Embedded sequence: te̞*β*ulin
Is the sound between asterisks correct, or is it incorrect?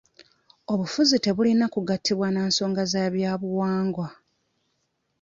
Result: correct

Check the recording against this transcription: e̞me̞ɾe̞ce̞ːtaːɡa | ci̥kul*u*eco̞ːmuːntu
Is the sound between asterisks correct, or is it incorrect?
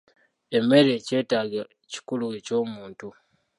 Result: correct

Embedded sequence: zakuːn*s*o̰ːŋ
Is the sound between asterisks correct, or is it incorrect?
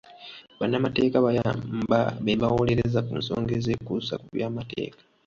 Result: correct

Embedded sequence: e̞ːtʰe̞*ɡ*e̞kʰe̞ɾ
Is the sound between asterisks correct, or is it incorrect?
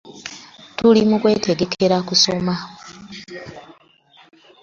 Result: correct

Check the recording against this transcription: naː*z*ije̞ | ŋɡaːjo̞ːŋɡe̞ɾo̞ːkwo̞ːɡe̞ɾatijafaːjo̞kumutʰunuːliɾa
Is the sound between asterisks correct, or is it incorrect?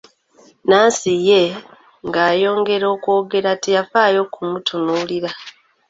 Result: incorrect: s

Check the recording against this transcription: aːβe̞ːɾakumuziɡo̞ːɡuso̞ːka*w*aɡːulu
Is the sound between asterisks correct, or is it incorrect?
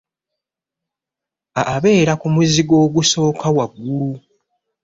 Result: correct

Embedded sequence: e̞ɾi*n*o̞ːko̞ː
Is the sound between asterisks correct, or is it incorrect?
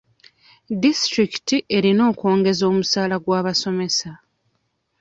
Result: correct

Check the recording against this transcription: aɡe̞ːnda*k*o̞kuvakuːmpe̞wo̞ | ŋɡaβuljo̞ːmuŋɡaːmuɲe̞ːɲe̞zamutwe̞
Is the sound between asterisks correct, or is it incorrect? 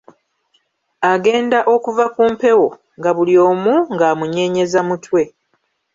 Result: incorrect: ʔ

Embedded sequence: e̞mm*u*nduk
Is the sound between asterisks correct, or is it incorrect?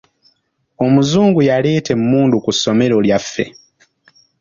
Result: incorrect: uː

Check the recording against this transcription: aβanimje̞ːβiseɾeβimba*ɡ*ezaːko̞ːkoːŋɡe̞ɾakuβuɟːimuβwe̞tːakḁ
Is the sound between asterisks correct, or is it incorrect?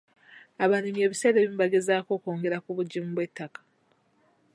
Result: correct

